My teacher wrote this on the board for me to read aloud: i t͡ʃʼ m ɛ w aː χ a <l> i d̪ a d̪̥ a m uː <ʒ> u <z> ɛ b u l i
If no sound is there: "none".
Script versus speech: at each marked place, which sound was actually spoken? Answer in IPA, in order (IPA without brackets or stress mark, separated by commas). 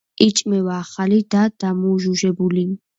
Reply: l, ʒ, ʒ